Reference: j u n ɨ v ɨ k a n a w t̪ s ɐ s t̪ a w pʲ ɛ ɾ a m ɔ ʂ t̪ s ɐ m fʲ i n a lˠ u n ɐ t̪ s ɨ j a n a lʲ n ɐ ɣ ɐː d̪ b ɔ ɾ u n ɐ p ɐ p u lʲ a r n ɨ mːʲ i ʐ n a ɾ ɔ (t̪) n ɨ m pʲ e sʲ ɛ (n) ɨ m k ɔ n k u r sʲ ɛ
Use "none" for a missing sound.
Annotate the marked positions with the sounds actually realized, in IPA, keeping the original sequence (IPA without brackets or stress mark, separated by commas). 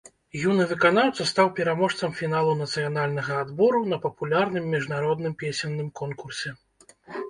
d̪, nː